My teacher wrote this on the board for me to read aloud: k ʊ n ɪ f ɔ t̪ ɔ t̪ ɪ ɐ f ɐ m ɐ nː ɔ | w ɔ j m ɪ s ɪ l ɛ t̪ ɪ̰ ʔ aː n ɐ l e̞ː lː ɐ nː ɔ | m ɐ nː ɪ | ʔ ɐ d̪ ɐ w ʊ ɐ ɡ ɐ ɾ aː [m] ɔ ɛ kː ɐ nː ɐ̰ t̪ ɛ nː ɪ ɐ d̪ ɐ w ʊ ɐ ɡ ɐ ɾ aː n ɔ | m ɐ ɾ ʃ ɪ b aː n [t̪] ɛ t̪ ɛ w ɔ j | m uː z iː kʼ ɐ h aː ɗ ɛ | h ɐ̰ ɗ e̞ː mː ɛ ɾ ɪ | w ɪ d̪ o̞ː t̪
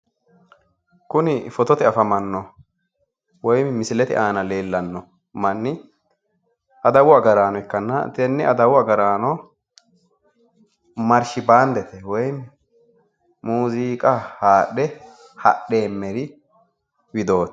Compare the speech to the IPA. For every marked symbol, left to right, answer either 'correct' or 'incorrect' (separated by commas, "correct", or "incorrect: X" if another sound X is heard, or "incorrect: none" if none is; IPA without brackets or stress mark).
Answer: incorrect: n, incorrect: d̪